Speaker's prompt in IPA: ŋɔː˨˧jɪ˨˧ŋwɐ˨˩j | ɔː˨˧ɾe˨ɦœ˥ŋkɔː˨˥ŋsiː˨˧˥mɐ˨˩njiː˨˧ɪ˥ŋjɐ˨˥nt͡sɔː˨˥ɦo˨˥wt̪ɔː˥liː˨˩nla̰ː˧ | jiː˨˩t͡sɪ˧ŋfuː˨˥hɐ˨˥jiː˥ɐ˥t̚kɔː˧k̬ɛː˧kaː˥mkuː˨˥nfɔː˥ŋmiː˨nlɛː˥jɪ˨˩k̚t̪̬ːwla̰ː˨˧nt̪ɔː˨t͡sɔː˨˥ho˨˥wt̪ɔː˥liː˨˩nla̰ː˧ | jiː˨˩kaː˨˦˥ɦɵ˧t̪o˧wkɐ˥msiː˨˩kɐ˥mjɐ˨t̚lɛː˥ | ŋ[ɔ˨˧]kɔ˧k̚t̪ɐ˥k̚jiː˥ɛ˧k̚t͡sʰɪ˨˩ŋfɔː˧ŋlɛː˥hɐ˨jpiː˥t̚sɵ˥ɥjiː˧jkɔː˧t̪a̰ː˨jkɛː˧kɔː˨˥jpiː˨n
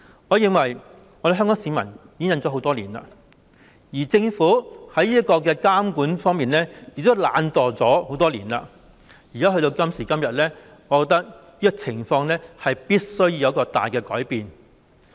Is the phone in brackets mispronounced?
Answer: no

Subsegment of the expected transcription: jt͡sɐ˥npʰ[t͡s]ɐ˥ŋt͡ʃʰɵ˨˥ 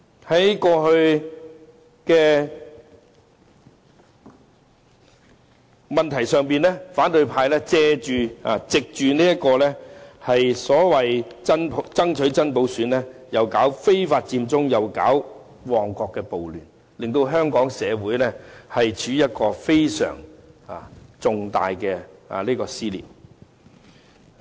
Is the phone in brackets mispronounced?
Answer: no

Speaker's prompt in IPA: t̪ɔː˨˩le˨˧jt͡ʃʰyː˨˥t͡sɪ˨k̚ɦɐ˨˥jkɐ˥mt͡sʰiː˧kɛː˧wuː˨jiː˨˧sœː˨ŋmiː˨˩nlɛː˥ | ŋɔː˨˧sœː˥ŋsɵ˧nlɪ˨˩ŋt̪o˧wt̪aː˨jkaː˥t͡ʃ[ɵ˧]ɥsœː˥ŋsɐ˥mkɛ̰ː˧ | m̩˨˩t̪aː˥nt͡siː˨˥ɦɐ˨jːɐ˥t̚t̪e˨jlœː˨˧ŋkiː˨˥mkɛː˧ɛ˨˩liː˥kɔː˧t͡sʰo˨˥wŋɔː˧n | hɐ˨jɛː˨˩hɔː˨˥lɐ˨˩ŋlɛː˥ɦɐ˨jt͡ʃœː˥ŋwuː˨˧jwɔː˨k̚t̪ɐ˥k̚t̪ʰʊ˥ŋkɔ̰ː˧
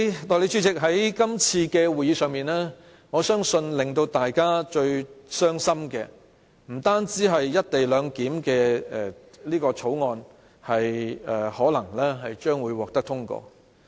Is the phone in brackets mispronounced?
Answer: no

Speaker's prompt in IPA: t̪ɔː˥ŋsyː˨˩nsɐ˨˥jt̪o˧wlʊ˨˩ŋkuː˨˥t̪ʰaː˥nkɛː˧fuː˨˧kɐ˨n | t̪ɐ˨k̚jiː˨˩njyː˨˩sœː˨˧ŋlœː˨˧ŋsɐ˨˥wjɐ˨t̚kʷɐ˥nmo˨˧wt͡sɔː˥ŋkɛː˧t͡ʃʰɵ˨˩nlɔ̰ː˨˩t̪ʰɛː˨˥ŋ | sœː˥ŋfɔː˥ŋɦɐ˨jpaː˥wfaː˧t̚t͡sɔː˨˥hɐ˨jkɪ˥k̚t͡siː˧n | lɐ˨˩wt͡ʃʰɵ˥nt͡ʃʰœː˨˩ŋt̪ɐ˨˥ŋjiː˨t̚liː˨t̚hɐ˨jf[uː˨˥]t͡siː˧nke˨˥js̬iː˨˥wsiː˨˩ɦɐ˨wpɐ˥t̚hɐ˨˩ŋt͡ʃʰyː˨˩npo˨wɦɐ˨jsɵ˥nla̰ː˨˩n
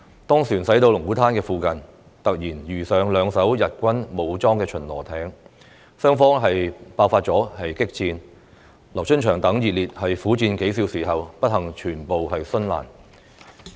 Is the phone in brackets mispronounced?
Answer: no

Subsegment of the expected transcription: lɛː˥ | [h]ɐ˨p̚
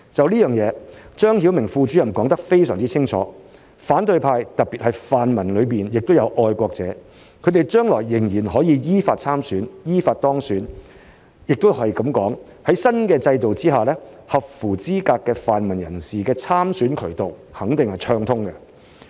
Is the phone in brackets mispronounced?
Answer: no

